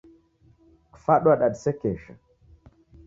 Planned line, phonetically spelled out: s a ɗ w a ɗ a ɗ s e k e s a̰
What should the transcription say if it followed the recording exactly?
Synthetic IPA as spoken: f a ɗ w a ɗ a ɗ s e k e ʃ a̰